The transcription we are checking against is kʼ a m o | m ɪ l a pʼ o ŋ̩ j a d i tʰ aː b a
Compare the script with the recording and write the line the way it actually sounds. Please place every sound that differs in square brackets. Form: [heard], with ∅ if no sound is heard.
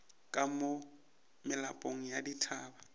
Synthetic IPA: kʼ a m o | m ɪ l a pʼ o ŋ̩ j a d i tʰ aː b a